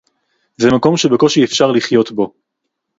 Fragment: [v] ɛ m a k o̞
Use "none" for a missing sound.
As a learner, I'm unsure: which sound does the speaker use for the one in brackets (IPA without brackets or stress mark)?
z